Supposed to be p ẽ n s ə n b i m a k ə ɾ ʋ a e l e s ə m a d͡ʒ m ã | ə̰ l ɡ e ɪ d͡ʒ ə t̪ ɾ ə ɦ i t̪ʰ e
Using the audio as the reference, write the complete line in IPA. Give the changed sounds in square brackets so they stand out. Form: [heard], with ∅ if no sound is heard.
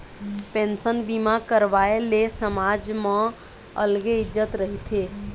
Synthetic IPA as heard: p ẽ n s ə n b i m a k ə ɾ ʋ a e l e s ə m a d͡ʒ m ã | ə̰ l ɡ e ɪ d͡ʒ ə t̪ ɾ ə ɦ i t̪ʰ e